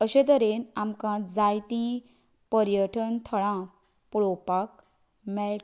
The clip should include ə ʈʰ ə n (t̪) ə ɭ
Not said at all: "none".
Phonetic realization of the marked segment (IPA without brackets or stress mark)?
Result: t̪ʰ